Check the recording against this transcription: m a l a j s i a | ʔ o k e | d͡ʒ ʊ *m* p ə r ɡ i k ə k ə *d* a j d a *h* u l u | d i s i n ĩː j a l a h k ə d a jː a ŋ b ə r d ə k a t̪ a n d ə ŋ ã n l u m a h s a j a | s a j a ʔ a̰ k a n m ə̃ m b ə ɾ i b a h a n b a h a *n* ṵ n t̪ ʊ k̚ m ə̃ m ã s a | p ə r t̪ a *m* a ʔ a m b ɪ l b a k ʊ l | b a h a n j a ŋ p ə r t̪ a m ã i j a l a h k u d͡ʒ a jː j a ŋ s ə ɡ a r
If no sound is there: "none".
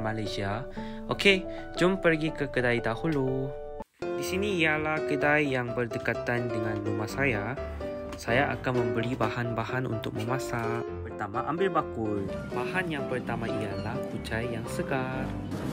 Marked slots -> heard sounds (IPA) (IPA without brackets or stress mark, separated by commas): m, d, h, n, m